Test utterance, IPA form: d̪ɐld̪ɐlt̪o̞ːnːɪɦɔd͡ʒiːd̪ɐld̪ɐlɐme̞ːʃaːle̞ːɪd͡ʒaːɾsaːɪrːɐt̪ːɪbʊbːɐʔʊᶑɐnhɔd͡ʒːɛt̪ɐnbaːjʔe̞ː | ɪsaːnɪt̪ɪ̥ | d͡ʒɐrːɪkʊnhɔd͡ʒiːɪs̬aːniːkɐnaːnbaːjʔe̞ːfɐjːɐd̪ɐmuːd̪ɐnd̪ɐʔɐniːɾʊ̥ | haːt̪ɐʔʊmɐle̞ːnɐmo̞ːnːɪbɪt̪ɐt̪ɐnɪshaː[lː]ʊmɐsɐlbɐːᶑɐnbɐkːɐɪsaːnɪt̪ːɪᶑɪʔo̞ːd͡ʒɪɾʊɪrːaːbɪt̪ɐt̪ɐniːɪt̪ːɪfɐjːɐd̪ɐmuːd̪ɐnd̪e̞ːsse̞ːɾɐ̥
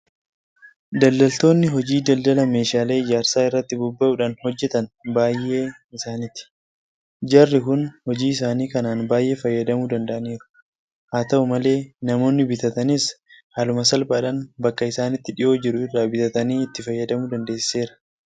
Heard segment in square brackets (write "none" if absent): l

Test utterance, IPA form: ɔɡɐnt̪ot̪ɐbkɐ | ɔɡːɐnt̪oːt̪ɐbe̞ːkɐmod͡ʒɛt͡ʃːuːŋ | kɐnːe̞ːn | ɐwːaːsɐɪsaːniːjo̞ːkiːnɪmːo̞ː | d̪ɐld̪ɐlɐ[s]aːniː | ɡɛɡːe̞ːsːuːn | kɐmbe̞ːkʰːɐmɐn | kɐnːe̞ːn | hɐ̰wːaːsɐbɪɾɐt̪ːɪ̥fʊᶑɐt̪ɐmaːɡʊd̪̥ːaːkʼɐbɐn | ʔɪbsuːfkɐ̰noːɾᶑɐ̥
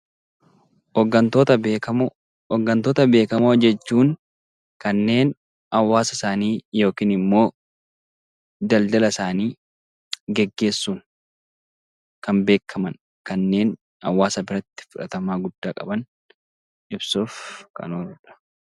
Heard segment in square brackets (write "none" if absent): s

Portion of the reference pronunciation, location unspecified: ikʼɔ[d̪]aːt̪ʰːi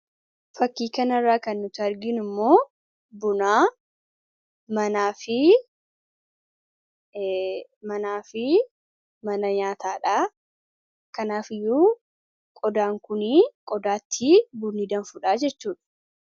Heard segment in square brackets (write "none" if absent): d̪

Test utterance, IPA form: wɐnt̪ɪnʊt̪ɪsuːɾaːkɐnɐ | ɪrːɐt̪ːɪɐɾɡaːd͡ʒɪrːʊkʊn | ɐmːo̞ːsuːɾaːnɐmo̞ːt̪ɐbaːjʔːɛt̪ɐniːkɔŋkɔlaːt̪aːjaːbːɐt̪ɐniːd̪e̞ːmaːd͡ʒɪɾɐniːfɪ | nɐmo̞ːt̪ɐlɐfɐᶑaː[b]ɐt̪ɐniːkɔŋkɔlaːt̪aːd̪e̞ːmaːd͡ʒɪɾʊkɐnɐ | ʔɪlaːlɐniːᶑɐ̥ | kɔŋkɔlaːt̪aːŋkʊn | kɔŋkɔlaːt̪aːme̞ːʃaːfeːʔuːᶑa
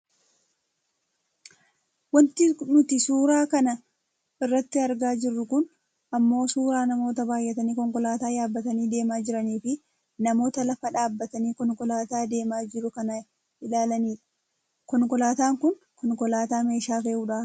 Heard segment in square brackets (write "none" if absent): bː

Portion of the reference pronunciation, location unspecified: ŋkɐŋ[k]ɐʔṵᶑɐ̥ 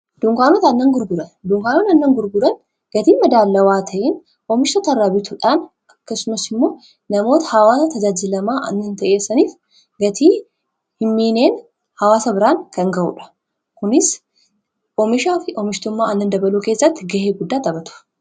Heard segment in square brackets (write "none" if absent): ɡ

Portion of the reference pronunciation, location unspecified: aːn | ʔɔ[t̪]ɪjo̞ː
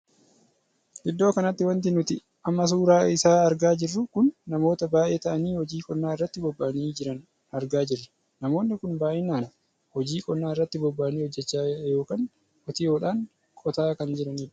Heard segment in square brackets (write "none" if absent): t̪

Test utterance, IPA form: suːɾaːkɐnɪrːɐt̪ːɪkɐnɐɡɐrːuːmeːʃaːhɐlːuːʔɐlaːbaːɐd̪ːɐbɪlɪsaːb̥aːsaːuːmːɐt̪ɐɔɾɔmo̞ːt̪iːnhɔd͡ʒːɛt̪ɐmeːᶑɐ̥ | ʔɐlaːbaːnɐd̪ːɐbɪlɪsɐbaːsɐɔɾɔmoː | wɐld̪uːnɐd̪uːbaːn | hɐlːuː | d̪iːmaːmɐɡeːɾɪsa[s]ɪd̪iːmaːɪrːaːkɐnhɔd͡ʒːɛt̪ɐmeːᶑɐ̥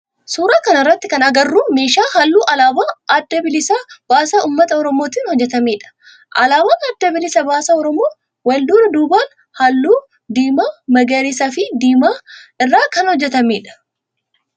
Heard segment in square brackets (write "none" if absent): f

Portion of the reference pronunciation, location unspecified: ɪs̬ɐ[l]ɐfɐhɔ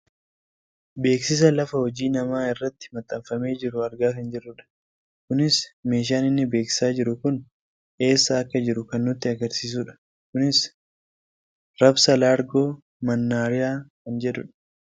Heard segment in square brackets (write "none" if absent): l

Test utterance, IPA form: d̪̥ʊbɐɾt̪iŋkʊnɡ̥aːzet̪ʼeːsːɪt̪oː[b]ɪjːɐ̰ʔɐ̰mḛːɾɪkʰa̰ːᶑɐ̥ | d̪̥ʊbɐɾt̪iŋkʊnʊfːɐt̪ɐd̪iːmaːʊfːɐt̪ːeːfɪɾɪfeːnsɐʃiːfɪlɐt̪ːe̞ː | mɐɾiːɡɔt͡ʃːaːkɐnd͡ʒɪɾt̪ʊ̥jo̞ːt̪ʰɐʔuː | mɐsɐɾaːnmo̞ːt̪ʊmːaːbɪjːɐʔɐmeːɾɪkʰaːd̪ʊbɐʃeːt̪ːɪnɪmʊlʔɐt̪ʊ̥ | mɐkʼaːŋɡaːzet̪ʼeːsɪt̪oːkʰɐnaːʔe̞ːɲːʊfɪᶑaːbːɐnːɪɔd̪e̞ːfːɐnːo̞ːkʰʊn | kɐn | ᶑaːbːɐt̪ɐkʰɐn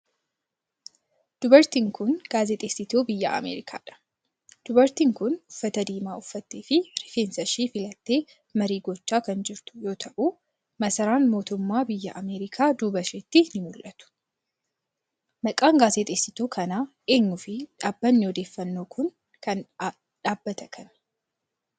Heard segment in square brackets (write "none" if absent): b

